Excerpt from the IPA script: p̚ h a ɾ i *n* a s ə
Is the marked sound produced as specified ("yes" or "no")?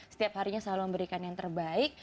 no